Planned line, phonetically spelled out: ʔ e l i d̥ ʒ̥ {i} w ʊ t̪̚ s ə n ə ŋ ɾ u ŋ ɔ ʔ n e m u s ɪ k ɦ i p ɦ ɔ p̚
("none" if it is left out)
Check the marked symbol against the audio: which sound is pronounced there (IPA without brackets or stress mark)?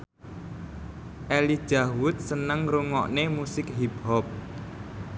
a